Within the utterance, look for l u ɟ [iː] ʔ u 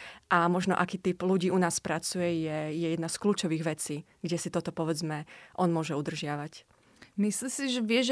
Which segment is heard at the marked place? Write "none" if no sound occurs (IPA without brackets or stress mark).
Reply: iː